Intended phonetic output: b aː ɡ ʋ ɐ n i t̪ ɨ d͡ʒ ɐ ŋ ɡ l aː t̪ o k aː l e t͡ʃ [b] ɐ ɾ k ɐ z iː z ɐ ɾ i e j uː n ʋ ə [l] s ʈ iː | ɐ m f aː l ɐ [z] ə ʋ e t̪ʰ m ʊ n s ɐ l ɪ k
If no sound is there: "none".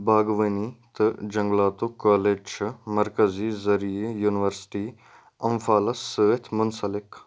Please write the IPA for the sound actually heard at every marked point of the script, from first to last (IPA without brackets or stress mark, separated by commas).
m, ɾ, s